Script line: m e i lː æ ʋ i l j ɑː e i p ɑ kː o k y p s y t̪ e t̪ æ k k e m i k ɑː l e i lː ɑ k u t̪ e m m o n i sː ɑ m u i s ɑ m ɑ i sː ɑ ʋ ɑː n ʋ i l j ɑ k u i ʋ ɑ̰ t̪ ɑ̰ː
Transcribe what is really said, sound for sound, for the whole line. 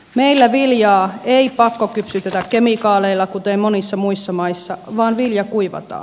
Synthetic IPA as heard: m e i lː æ ʋ i l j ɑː e i p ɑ kː o k y p s y t̪ e t̪ æ k k e m i k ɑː l e i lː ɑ k u t̪ e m m o n i sː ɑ m u i sː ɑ m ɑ i sː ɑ ʋ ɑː n ʋ i l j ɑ k u i ʋ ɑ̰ t̪ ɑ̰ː